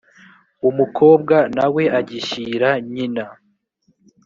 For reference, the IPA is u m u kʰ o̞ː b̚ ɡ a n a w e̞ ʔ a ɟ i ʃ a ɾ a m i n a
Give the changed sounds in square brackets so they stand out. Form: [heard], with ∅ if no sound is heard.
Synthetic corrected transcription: u m u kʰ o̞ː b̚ ɡ a n a w e̞ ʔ a ɟ i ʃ [i] ɾ a [ɲ] i n a